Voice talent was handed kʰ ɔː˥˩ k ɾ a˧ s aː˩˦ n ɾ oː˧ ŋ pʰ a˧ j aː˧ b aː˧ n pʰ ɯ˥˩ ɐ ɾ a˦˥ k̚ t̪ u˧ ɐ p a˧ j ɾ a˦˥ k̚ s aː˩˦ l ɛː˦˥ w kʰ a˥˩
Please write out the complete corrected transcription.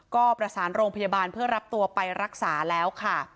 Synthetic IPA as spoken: k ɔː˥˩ p ɾ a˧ s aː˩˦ n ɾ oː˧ ŋ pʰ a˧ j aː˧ b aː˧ n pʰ ɯ˥˩ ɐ ɾ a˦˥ p̚ t̪ u˧ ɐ p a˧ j ɾ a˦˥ k̚ s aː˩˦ l ɛː˦˥ w kʰ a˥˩